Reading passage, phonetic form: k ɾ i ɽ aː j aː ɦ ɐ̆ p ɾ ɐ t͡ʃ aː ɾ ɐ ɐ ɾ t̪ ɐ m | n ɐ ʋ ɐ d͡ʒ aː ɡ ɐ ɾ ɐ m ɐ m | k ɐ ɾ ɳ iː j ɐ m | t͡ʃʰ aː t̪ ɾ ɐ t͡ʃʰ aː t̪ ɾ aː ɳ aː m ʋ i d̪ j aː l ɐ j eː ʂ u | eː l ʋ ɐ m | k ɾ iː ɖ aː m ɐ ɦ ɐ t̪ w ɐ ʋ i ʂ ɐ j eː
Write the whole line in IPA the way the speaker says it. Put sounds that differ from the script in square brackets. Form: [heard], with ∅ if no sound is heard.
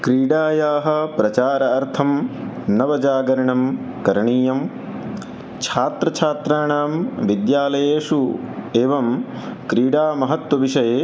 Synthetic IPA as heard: k ɾ [iː] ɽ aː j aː ɦ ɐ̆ p ɾ ɐ t͡ʃ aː ɾ ɐ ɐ ɾ [t̪ʰ] ɐ m | n ɐ ʋ ɐ d͡ʒ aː ɡ ɐ ɾ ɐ [ɳ] ɐ m | k ɐ ɾ ɳ iː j ɐ m | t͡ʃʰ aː t̪ ɾ ɐ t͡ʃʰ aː t̪ ɾ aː ɳ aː m ʋ i d̪ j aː l ɐ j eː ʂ u | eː [∅] ʋ ɐ m | k ɾ iː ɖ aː m ɐ ɦ ɐ t̪ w ɐ ʋ i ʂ ɐ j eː